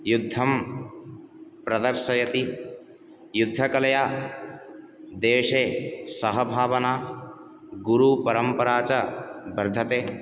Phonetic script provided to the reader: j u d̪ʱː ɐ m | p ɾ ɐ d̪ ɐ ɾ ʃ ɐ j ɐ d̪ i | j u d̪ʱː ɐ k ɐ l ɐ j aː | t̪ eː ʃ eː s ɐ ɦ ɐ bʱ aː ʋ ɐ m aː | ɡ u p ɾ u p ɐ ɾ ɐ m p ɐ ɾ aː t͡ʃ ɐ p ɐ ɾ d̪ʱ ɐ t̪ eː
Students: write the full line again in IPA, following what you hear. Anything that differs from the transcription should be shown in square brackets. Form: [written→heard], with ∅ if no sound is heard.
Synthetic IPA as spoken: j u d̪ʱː ɐ m | p ɾ ɐ d̪ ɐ ɾ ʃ ɐ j ɐ [d̪→t̪] i | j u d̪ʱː ɐ k ɐ l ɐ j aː | [t̪→d̪] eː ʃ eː s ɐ ɦ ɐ bʱ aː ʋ ɐ [m→n] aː | ɡ u [p→∅] ɾ u p ɐ ɾ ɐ m p ɐ ɾ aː t͡ʃ ɐ [p→b] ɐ ɾ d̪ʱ ɐ t̪ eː